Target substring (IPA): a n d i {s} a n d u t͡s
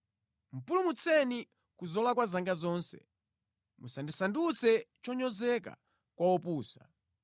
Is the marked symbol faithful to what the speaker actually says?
yes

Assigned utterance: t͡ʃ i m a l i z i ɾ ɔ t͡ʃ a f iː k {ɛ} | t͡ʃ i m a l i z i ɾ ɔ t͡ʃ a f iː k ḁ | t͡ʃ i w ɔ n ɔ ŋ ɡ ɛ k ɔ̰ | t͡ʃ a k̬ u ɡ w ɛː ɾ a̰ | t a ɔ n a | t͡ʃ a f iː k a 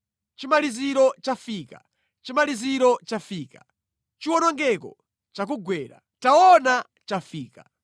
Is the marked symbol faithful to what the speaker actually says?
no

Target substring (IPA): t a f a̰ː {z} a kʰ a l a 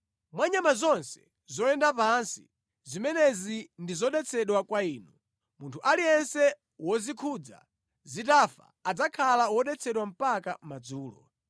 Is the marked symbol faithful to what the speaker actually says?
no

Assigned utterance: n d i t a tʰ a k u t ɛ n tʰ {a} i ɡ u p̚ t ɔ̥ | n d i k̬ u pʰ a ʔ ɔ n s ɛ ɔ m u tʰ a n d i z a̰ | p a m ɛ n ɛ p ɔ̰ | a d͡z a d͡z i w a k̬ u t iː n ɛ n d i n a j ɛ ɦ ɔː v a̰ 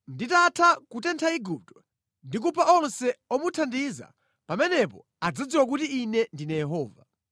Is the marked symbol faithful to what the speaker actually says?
yes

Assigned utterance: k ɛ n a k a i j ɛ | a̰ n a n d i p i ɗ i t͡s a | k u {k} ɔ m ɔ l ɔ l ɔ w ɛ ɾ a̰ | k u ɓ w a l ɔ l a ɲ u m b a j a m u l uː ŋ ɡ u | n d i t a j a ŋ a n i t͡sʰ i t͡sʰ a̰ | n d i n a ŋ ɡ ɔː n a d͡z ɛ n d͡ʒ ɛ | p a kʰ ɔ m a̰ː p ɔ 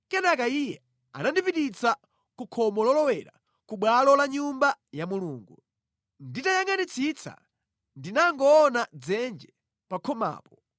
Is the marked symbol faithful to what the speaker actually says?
no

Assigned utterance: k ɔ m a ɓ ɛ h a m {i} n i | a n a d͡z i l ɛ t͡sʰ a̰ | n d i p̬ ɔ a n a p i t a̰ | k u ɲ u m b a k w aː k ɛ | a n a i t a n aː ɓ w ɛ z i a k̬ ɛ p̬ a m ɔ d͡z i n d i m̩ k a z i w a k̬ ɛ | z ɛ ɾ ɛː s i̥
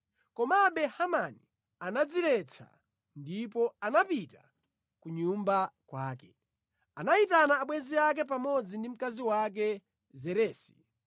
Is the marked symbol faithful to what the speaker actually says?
no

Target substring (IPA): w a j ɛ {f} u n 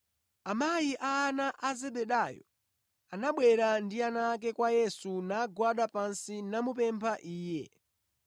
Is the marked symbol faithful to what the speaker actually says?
no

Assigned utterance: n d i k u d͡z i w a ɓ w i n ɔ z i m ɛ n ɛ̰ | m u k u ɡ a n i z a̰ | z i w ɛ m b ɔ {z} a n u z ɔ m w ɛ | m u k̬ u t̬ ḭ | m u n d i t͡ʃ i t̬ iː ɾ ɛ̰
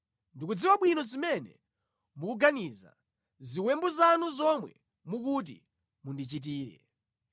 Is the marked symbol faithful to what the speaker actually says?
yes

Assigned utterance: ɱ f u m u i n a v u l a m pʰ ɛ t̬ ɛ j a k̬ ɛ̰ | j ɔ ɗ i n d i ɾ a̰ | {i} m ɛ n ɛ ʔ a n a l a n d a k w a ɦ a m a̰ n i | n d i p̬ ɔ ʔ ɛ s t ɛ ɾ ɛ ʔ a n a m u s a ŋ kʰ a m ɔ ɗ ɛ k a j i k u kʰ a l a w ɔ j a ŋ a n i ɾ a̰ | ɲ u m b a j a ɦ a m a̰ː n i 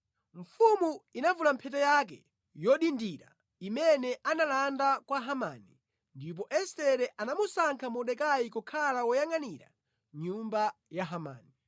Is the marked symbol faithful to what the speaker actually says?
yes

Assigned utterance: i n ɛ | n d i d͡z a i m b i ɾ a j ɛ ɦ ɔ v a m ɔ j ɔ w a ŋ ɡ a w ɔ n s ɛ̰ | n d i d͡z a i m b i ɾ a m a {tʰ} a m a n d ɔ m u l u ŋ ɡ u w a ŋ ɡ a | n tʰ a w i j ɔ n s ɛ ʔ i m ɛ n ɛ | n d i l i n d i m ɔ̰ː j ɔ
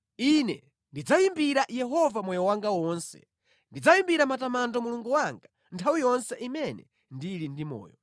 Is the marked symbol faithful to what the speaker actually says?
no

